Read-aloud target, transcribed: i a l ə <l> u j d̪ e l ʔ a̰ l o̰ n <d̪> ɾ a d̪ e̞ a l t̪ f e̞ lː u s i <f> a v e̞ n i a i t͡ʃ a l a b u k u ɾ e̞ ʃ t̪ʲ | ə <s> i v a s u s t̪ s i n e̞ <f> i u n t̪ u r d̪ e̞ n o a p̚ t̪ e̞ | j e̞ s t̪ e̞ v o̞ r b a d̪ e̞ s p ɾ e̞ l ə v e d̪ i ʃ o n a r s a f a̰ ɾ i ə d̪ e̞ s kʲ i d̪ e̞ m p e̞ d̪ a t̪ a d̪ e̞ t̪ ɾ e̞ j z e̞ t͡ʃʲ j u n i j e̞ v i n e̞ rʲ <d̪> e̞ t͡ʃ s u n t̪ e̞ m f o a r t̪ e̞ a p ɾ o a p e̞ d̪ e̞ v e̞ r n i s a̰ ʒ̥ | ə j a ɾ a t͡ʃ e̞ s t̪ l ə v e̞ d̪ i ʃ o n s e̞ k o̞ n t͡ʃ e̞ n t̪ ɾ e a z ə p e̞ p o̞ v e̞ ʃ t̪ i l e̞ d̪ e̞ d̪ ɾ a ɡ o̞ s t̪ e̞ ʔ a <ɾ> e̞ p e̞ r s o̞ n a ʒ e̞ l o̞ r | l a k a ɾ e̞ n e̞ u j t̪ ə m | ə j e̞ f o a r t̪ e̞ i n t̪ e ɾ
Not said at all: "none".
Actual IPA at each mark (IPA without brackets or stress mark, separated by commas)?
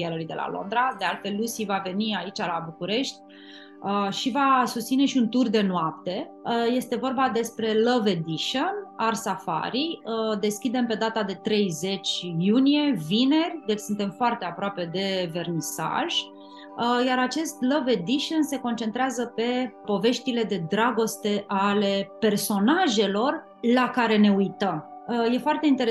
l, d̪, v, ʃ, ʃ, d̪, l